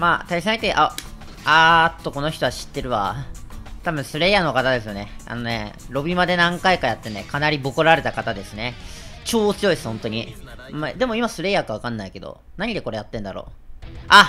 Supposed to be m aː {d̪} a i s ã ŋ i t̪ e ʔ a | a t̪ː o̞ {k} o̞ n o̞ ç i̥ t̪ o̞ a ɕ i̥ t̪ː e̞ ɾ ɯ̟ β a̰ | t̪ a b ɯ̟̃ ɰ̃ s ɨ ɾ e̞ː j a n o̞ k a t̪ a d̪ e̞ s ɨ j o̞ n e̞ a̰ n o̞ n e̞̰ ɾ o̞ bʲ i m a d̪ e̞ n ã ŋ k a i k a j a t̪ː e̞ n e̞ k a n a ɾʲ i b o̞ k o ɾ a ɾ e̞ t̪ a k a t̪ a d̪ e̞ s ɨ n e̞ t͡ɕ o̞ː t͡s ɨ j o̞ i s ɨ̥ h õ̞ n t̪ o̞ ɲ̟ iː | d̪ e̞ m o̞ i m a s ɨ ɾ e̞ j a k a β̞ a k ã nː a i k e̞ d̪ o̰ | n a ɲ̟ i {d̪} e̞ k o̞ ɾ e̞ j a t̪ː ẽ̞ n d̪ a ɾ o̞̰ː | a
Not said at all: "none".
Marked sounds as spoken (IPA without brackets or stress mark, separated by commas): t̪, k, d̪